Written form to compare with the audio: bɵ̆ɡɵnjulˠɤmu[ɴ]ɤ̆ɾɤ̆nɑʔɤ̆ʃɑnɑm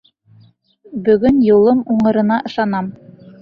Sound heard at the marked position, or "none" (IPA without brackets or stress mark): ɴ